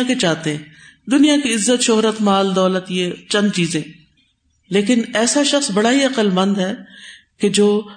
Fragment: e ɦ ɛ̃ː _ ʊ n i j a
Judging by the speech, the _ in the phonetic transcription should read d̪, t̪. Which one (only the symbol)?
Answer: d̪